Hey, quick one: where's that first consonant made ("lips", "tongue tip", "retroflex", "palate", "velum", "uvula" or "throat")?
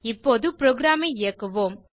lips